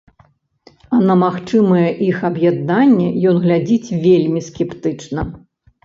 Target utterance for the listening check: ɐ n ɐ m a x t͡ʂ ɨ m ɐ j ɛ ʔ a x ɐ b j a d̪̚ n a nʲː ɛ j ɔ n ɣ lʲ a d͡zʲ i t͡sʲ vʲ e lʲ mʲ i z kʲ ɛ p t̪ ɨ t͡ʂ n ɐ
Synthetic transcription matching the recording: ɐ n ɐ m a x t͡ʂ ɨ m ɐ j ɛ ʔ i x ɐ b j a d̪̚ n a nʲː ɛ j ɔ n ɣ lʲ a d͡zʲ i t͡sʲ vʲ e lʲ mʲ i s kʲ ɛ p t̪ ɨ t͡ʂ n ɐ

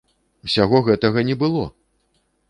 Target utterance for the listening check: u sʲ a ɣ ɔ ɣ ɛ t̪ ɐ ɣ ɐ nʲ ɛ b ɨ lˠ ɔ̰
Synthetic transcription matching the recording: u sʲ a ɣ ɔ ɣ ɛ t̪ ɐ ɣ ɐ nʲ ɛ b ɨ lˠ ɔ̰

